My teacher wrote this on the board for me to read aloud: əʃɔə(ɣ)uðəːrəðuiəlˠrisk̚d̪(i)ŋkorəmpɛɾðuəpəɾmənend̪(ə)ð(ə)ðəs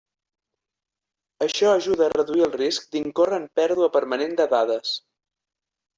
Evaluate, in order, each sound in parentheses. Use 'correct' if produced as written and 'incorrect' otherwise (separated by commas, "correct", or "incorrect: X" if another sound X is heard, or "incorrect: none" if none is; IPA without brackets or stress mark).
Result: incorrect: ʒ, correct, correct, incorrect: a